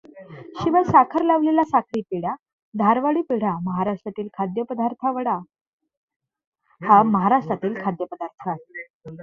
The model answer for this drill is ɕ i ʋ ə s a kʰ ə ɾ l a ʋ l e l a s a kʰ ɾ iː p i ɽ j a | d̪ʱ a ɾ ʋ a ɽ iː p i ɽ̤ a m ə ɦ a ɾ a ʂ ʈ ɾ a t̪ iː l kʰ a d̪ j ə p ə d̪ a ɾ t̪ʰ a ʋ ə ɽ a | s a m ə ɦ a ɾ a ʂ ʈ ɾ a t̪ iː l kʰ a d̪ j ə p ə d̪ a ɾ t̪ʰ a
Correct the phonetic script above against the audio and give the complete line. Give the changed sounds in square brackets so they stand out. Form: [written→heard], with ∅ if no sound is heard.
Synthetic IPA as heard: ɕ i ʋ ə s a kʰ ə ɾ l a ʋ l e l a s a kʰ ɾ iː p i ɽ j a | d̪ʱ a ɾ ʋ a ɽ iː p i ɽ̤ a m ə ɦ a ɾ a ʂ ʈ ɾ a t̪ iː l kʰ a d̪ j ə p ə d̪ a ɾ t̪ʰ a ʋ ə ɽ a | [s→h] a m ə ɦ a ɾ a ʂ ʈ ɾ a t̪ iː l kʰ a d̪ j ə p ə d̪ a ɾ t̪ʰ a